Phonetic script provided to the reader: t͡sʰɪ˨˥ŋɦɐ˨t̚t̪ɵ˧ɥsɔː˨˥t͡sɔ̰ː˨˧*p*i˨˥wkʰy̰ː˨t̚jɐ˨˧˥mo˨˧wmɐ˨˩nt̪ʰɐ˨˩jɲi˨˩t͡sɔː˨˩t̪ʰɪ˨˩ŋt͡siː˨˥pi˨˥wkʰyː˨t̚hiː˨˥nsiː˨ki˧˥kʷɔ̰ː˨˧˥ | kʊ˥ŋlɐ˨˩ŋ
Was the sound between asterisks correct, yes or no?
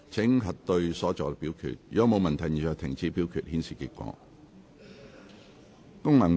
yes